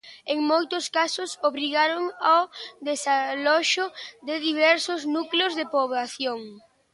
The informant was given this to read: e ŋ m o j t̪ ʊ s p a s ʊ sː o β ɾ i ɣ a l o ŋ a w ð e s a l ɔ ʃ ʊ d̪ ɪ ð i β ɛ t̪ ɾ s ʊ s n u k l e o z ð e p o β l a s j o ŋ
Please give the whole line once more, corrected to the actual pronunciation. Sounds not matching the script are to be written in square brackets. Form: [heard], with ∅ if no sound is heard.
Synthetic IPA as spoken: e ŋ m o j t̪ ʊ s [k] a s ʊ [s] o β ɾ i ɣ a [ɾ] o ŋ a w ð e s a l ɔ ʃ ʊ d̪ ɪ ð i β ɛ [∅] ɾ s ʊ [z] n u k l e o z ð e p o β l a [θ] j o ŋ